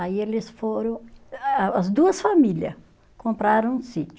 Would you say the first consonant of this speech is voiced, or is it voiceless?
voiced